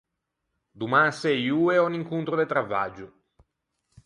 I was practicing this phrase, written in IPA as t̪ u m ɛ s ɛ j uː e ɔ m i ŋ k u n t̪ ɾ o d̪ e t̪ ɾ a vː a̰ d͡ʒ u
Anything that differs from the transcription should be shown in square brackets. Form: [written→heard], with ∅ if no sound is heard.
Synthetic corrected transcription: [t̪→d̪] u m [ɛ→a] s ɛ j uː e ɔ [m→n] i ŋ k u n t̪ ɾ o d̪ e t̪ ɾ a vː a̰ d͡ʒ u